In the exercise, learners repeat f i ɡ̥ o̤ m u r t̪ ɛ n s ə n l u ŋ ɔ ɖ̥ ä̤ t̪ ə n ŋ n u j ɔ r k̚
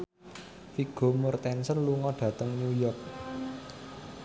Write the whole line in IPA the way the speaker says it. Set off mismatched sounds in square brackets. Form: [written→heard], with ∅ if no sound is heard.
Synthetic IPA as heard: f i ɡ̥ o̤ m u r t̪ ɛ n s ə n l u ŋ ɔ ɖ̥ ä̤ t̪ ə [n→∅] ŋ n u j ɔ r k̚

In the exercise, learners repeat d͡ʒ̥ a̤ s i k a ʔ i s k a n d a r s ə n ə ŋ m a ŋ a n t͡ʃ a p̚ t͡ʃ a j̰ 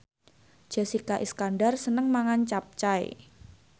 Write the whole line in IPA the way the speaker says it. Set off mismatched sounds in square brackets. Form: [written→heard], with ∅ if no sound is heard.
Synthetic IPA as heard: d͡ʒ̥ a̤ s i k a ʔ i s k a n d a r s ə n ə ŋ m a ŋ a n t͡ʃ a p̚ t͡ʃ a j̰

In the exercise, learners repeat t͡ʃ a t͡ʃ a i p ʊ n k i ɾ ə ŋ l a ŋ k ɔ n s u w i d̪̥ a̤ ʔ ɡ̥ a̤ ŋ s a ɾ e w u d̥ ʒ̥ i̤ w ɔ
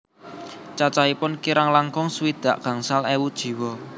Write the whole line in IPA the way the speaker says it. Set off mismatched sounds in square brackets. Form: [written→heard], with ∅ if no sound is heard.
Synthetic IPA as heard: t͡ʃ a t͡ʃ a i p ʊ n k i ɾ [ə→a] ŋ l a ŋ k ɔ [n→ŋ] s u w i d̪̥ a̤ ʔ ɡ̥ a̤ ŋ s a [ɾ→l] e w u d̥ ʒ̥ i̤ w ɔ

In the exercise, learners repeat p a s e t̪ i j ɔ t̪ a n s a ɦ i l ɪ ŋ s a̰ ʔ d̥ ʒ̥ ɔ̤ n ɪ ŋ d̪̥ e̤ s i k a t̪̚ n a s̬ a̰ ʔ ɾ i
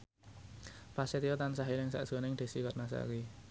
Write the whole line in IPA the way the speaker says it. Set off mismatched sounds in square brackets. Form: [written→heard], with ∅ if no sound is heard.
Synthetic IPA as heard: p a s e t̪ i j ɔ t̪ a n s a ɦ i l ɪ ŋ s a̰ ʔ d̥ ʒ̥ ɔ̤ n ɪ ŋ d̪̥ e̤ s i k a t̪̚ n a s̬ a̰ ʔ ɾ i

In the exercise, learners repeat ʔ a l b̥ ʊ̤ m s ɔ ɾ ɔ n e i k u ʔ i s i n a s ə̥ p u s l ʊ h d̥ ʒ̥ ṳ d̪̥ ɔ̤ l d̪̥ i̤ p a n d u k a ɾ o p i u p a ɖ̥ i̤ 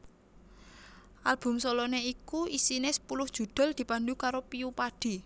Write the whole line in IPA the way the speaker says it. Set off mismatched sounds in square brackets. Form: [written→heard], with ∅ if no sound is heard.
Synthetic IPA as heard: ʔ a l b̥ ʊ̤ m s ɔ [ɾ→l] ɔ n e i k u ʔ i s i n [a→e] s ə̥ p u [s→∅] l ʊ h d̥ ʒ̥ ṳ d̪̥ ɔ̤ l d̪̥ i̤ p a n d u k a ɾ o p i u p a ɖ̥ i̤

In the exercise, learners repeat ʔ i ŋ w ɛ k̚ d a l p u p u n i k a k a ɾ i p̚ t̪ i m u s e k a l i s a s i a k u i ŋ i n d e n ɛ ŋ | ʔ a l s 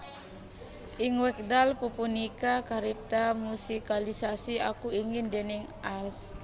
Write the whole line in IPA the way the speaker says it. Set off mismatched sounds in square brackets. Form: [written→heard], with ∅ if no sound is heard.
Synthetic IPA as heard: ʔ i ŋ w ɛ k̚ d a l p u p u n i k a k a ɾ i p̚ t̪ [i→a] m u s [e→i] k a l i s a s i a k u i ŋ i n d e n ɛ ŋ | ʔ a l s

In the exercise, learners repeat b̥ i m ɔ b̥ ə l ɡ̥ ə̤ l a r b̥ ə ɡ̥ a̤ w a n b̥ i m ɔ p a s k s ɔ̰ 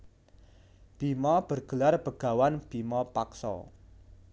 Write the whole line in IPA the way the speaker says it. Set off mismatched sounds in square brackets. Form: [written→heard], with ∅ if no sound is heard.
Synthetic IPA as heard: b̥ i m ɔ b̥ ə [l→r] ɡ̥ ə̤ l a r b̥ ə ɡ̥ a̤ w a n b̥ i m ɔ p a [s→∅] k s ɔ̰

